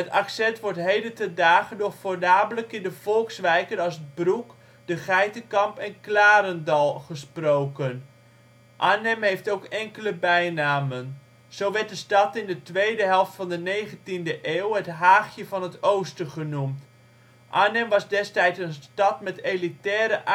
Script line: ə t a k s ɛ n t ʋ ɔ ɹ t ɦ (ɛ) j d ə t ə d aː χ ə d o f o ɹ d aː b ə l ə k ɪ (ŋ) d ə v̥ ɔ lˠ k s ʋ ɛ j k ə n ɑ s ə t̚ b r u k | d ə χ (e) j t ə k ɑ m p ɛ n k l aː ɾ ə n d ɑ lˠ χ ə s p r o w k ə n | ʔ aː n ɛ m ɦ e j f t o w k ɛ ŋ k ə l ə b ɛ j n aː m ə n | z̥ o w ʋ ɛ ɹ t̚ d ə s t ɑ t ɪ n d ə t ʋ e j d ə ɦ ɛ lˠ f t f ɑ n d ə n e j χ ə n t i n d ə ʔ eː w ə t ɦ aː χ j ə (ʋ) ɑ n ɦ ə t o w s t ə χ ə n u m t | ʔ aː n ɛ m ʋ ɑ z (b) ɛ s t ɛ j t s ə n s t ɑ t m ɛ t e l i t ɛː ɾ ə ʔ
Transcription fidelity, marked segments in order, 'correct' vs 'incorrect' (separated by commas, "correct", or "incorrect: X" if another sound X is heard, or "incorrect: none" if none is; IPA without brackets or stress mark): incorrect: e, incorrect: n, incorrect: ɛ, incorrect: v, incorrect: d